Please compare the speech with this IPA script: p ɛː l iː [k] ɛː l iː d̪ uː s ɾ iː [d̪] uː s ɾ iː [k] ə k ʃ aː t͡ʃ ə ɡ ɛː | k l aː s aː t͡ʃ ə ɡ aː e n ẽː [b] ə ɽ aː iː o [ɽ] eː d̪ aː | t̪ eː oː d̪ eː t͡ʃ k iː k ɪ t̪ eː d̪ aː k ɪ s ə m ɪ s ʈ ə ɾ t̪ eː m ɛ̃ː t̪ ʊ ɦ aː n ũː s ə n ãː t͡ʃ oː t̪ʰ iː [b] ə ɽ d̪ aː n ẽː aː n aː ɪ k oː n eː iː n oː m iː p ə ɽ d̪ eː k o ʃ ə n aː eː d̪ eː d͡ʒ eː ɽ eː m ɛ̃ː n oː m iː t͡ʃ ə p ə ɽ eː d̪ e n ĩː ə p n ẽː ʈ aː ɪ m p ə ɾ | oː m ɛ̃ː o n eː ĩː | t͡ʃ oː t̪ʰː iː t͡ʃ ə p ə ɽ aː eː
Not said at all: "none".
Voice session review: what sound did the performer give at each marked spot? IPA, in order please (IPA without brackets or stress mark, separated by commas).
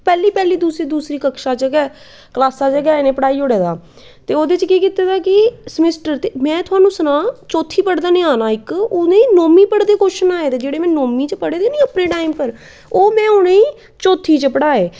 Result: p, d̪, k, p, ɽ, p